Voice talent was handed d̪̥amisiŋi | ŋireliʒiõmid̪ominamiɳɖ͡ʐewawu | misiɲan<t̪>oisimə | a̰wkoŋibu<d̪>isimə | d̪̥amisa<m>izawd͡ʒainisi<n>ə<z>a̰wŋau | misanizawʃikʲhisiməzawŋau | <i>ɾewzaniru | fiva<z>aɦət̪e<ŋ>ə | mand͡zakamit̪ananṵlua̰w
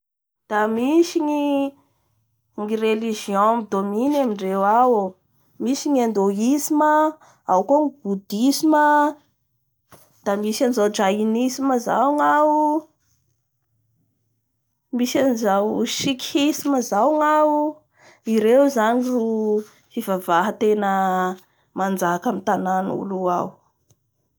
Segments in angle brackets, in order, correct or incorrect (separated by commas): incorrect, correct, incorrect, incorrect, correct, correct, incorrect, incorrect